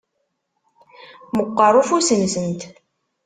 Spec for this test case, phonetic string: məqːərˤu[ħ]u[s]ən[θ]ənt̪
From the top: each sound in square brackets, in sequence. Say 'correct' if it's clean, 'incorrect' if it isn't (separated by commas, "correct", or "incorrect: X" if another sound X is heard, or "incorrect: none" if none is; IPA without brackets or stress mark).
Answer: incorrect: f, correct, incorrect: s